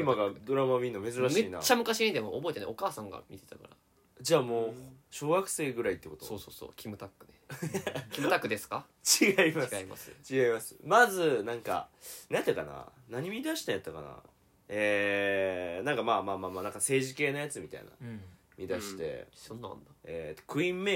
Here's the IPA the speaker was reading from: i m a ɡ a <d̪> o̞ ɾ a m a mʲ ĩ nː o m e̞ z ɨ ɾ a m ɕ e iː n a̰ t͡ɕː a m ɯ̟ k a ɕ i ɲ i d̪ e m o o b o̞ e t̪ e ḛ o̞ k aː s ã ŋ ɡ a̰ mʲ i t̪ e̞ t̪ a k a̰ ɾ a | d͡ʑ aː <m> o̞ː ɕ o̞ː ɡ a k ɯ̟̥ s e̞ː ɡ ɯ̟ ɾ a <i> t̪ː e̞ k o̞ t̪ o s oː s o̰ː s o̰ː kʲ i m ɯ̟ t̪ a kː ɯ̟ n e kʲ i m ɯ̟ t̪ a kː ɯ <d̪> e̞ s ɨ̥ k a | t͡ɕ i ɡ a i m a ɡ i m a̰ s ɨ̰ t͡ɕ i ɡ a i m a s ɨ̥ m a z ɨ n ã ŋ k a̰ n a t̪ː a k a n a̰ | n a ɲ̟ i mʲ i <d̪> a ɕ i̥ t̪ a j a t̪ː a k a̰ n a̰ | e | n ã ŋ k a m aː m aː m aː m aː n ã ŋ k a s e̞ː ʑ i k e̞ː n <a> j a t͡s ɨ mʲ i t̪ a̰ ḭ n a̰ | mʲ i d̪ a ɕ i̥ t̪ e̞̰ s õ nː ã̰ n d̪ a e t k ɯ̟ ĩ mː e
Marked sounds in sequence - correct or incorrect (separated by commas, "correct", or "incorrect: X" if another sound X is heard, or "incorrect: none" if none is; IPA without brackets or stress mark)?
correct, correct, correct, correct, correct, correct